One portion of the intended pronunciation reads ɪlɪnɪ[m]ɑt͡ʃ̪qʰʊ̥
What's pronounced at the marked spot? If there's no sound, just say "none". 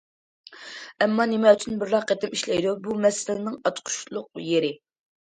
ŋ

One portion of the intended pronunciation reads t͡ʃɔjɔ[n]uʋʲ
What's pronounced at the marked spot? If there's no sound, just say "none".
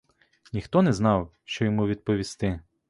m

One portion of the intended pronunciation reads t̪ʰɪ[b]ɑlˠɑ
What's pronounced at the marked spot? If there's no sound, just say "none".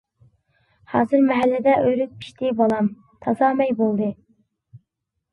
b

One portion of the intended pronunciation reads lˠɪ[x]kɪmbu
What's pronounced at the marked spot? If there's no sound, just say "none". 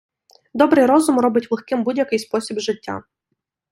x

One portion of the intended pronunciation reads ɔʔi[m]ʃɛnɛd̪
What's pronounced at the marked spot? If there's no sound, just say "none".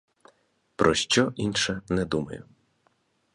n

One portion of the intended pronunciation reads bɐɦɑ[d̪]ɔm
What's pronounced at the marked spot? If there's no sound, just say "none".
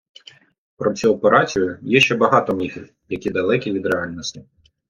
t̪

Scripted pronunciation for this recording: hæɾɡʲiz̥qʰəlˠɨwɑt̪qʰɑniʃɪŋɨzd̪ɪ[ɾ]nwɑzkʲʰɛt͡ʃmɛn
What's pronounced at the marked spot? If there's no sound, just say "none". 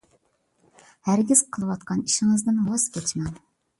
none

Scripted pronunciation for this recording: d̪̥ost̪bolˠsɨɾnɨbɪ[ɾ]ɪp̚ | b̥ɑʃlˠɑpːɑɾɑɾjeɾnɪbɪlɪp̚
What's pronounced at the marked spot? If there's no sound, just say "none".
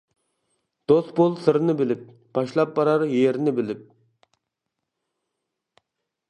l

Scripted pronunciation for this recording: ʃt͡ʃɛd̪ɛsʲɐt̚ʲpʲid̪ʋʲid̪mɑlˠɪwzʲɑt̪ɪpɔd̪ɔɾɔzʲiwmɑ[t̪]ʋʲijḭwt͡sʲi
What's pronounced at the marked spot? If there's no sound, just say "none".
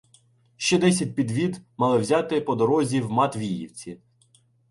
t̪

